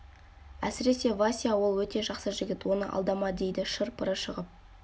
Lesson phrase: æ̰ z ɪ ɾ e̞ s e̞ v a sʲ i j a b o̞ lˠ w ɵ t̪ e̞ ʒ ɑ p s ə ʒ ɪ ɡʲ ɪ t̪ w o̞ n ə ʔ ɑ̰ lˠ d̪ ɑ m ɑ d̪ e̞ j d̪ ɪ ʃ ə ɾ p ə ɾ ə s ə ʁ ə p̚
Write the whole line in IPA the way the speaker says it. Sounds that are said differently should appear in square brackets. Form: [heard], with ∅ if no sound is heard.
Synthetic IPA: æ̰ [s] ɪ ɾ e̞ s e̞ v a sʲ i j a [w] o̞ lˠ w ɵ t̪ e̞ ʒ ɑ [q] s ə ʒ ɪ ɡʲ ɪ t̪ w o̞ n ə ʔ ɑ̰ lˠ d̪ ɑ m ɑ d̪ e̞ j d̪ ɪ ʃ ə ɾ p ə ɾ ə [ʃ] ə ʁ ə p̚